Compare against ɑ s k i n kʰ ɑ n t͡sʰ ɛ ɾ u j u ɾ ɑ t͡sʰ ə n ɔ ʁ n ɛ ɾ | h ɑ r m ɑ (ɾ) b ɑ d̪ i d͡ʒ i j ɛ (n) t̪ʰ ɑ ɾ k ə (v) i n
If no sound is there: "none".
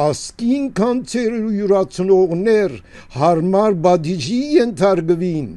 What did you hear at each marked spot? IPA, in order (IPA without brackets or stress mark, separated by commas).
ɾ, n, v